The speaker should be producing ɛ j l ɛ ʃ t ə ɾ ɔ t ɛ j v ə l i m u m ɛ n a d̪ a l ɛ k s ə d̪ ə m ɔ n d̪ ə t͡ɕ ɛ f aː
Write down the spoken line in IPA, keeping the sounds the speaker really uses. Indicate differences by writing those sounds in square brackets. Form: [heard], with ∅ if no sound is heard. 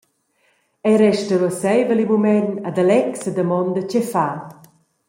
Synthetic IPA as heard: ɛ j [ɾ] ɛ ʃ t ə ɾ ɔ [s] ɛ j v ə l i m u m ɛ n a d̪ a l ɛ k s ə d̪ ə m ɔ n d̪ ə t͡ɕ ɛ f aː

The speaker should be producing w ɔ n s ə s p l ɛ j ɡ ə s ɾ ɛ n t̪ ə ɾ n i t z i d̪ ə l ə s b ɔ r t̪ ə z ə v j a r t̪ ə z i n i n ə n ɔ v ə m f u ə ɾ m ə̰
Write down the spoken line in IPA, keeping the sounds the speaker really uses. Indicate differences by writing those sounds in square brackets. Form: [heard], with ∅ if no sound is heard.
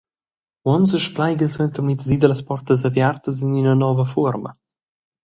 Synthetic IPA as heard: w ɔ n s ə [ʃ] p l [a] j ɡ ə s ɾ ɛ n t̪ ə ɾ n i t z i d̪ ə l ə s [p] ɔ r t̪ ə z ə v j a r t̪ ə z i n i n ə n ɔ v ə [∅] f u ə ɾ m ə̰

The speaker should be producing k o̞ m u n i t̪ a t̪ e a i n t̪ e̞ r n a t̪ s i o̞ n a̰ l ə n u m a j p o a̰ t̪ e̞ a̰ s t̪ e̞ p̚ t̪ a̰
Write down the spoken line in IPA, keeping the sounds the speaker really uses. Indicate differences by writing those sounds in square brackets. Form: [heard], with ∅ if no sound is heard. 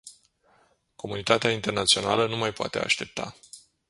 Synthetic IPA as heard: k o̞ m u n i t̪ a t̪ e a i n t̪ e̞ r n a t̪ s i o̞ n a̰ l ə n u m a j p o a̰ t̪ e̞ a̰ [ʃ] t̪ e̞ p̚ t̪ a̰

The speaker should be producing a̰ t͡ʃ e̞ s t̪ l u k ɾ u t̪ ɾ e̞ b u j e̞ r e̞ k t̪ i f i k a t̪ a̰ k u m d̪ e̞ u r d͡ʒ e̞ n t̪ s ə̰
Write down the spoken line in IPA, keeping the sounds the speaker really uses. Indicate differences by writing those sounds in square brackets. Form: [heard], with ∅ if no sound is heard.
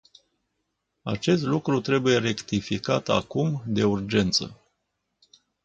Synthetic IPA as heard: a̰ t͡ʃ e̞ s t̪ l u k ɾ u t̪ ɾ e̞ b u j e̞ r e̞ k t̪ i f i k a t̪ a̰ k u m d̪ e̞ u r d͡ʒ e̞ n t̪ s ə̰

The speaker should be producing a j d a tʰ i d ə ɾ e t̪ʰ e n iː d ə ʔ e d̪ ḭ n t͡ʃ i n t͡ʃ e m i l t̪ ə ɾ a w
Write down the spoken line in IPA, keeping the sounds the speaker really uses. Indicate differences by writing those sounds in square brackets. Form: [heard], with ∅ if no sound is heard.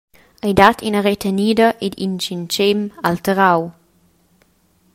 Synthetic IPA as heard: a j d a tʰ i [n] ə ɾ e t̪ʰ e n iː d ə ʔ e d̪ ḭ n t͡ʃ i n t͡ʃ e m [a] l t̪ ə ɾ a w

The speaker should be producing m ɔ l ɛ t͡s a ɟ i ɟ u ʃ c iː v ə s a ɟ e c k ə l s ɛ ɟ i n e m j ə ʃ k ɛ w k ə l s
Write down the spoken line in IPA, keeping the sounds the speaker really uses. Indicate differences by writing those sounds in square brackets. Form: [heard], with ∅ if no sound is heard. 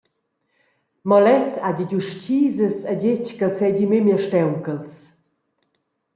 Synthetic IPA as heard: m ɔ l ɛ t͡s a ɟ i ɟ u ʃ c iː [z] ə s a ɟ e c k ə l s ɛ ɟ i [m] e m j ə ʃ [t] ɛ w k ə l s

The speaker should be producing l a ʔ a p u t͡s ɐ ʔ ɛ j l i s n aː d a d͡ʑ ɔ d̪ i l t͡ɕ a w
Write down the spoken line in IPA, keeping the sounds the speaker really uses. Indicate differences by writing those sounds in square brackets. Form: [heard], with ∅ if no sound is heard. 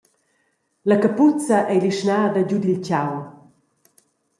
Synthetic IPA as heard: l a [k] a p u t͡s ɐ ʔ ɛ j l i [ʃ] n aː d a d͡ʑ [u] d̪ i l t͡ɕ a w

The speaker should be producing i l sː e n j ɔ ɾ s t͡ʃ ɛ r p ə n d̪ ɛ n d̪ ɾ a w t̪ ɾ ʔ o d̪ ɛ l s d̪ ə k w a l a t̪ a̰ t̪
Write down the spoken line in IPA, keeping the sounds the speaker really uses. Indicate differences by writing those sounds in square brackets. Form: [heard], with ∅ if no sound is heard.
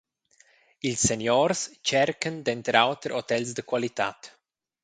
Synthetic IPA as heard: i l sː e n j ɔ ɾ s t͡ʃ ɛ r [k] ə n d̪ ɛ n [t̪] ɾ a w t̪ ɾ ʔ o [t̪] ɛ l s d̪ ə k w a l [i] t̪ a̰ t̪

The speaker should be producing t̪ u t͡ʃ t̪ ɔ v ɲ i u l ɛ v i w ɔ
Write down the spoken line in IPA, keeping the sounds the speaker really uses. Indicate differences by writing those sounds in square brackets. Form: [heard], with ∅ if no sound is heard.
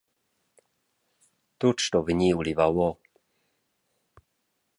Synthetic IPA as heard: t̪ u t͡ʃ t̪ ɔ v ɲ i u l [i] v [a] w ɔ

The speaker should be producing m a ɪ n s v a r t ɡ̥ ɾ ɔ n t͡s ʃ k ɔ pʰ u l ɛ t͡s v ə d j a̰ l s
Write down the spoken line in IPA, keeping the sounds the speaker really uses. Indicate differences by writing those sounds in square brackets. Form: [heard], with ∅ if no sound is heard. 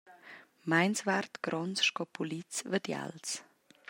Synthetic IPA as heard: m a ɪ n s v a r t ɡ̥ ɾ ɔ n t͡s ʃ k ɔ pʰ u l [i] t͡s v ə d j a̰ l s

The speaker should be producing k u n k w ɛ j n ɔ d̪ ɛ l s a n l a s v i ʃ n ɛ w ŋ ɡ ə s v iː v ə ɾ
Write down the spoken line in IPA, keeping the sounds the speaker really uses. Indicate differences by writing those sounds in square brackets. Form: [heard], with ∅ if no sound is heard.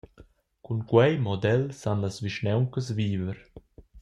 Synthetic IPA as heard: k u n k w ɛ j [m] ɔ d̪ ɛ l s a n l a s v i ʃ n ɛ w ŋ [k] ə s v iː v ə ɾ

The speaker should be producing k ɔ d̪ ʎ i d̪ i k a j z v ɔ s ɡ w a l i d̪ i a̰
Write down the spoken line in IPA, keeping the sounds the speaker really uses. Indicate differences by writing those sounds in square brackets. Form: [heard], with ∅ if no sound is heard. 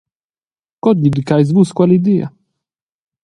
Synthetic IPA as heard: k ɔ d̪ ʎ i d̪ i k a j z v [u] s [k] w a l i d̪ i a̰

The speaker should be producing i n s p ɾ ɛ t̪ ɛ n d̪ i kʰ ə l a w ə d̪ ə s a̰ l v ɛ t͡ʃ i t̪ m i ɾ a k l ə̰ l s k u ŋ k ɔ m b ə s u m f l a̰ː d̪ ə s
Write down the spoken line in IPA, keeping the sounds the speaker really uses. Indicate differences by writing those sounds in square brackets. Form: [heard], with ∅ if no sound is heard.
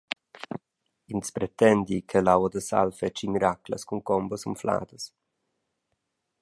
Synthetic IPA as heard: i n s p ɾ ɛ t̪ ɛ n d̪ i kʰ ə l a w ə d̪ ə s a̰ l [f] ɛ t͡ʃ i [∅] m i ɾ a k l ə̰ [∅] s k u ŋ k ɔ m b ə s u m f l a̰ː d̪ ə s

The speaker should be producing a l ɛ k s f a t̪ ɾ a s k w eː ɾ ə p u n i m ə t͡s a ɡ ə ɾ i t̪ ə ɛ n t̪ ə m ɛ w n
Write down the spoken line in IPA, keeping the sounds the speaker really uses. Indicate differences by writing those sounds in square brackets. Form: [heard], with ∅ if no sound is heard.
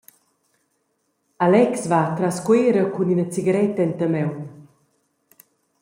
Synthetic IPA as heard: a l ɛ k s [v] a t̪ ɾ a s k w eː ɾ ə [k] u n i [n] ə t͡s [i] ɡ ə ɾ [ɛ] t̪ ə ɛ n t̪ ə m ɛ w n

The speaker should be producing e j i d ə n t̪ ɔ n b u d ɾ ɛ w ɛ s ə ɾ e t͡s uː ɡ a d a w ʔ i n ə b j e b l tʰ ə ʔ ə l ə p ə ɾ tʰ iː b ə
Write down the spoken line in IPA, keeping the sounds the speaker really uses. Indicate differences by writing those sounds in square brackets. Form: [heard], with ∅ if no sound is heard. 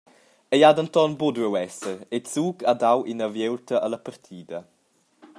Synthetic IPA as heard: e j [a] d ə n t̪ ɔ n b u d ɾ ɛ w ɛ s ə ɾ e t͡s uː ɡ a d a w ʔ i n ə [v] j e [w] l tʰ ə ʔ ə l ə p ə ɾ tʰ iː [d] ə

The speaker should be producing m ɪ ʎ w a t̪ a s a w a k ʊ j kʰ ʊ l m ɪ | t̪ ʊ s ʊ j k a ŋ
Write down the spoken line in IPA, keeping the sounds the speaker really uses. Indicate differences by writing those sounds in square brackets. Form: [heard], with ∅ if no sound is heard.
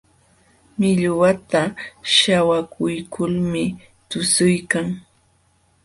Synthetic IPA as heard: m ɪ ʎ w a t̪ a [ʃ] a w a k ʊ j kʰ ʊ l m ɪ | t̪ ʊ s ʊ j k a ŋ

